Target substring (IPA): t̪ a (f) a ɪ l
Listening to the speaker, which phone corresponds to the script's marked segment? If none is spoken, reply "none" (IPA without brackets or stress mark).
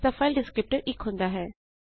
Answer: f